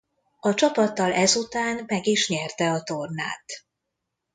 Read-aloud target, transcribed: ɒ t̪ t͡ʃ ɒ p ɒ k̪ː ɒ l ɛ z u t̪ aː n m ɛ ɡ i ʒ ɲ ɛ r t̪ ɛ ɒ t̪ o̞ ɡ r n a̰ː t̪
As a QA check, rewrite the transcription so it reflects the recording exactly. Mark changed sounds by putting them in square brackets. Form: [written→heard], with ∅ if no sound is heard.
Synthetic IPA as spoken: ɒ [t̪→∅] t͡ʃ ɒ p ɒ [k̪ː→t̪ː] ɒ l ɛ z u t̪ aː n m ɛ ɡ i [ʒ→ʃ] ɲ ɛ r t̪ ɛ ɒ t̪ o̞ [ɡ→∅] r n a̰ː t̪